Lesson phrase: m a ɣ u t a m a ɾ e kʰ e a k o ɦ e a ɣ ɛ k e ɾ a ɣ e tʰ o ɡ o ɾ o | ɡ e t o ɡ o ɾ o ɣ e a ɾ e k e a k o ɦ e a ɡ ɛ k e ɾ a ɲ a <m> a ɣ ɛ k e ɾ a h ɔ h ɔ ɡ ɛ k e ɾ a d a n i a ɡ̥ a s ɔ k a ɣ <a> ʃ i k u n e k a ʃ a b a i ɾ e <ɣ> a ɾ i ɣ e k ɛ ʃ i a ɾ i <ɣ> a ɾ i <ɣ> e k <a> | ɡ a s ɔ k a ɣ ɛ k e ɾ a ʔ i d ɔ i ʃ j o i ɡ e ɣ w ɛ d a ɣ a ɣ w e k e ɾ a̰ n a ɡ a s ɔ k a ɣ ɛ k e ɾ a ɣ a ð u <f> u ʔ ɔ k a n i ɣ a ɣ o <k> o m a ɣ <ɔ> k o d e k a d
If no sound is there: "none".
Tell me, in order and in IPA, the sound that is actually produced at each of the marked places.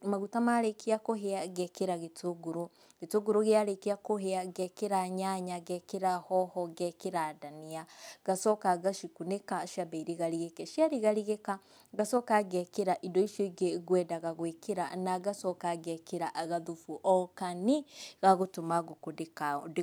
ɲ, a, ɣ, ɣ, ɣ, a, f, t, o

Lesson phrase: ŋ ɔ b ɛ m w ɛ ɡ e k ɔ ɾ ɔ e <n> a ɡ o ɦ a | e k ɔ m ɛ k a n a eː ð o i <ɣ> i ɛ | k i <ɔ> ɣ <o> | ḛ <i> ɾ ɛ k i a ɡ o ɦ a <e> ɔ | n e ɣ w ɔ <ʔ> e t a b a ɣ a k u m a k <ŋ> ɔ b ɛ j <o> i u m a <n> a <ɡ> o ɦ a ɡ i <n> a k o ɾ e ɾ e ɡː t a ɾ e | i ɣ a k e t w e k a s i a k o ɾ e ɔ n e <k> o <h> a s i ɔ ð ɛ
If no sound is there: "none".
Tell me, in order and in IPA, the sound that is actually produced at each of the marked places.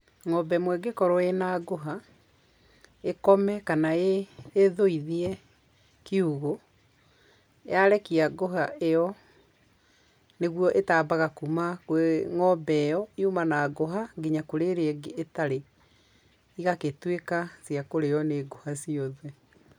n, ð, u, o, a, e, ʔ, ŋ, ɔ, n, ɡ, ɲ, ɡ, h

